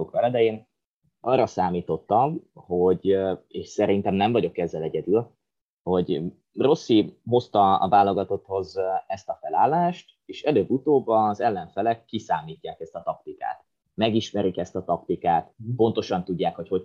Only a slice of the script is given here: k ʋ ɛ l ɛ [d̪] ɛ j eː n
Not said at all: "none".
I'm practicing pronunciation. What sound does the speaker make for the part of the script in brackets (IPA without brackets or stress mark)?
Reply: d̪